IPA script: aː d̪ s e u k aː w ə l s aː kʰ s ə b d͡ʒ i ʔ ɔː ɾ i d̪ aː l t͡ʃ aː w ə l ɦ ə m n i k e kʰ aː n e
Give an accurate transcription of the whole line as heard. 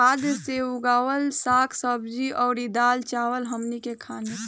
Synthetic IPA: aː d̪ s e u ɡ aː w ə l s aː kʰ s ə b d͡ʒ i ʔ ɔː ɾ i d̪ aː l t͡ʃ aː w ə l ɦ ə m n i k e kʰ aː n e

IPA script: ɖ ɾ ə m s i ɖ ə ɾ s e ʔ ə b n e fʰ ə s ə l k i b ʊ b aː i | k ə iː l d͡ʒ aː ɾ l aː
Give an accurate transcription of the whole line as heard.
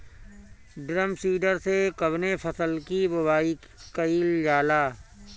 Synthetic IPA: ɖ ɾ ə m s iː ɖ ə ɾ s e k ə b n e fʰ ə s ə l k i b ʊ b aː i | k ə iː l d͡ʒ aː l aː

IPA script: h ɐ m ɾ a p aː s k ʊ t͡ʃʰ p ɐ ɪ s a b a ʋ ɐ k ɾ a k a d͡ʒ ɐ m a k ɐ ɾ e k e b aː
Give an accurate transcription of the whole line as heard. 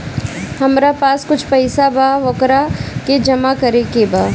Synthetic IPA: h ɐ m ɾ a p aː s k ʊ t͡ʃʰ p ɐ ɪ s a b a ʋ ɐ k ɾ a k e d͡ʒ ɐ m a k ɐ ɾ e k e b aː

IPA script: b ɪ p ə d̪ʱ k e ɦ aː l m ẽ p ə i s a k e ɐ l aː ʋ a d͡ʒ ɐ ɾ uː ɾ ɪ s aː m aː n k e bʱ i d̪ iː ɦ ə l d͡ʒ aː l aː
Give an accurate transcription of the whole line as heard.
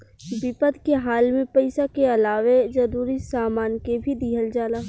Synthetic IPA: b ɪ p ə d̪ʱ k e ɦ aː l m ẽ p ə ɪ s a k e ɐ l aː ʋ e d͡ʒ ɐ ɾ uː ɾ i s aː m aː n k e bʱ i d̪ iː ɦ ə l d͡ʒ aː l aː

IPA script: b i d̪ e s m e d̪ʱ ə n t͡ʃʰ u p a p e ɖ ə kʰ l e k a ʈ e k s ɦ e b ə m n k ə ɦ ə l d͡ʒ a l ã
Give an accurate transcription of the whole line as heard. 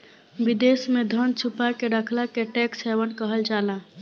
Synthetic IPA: b i d̪ e s m e d̪ʱ ə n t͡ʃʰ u p a k e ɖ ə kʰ l a k e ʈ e k s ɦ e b ə n k ə ɦ ə l d͡ʒ a l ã

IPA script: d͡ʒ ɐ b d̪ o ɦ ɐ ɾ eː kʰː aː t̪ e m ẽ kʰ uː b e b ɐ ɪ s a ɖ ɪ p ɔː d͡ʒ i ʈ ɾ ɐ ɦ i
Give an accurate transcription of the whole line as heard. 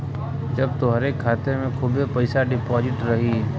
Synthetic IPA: d͡ʒ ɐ b t̪ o ɦ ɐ ɾ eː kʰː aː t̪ e m ẽ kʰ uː b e p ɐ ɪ s a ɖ ɪ p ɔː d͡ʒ ɪ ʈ ɾ ɐ ɦ i

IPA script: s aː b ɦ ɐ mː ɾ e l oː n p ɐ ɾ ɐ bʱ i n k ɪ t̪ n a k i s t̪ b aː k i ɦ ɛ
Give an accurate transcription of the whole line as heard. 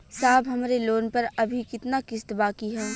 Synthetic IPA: s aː b ɦ ɐ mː ɾ e l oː n p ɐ ɾ ɐ bʱ i k ɪ t̪ n a k ɪ s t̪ b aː k i ɦ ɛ

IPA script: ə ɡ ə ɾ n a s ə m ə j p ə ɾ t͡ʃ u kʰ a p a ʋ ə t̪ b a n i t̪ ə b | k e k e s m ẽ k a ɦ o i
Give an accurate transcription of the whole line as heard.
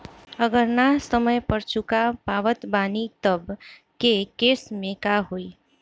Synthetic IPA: ə ɡ ə ɾ n a s ə m ə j p ə ɾ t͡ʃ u k a p a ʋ ə t̪ b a n i t̪ ə b | k e k e s m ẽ k a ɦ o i

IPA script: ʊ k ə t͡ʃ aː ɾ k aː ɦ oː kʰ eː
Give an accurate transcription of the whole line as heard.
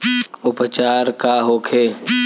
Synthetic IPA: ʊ p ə t͡ʃ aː ɾ k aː ɦ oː kʰ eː

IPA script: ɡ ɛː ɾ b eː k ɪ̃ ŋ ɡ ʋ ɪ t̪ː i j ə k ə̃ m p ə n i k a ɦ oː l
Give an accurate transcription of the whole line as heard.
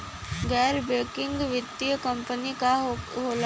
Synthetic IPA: ɡ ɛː ɾ b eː k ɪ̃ ŋ ɡ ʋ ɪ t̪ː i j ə k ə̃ m p ə n i k a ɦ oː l

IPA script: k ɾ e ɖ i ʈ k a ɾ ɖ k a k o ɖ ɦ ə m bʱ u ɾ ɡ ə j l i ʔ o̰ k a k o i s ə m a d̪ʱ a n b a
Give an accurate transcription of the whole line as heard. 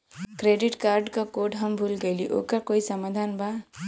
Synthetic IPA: k ɾ e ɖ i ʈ k a ɾ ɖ k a k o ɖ ɦ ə m bʱ u l ɡ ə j l i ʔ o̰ k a k o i s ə m a d̪ʱ a n b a

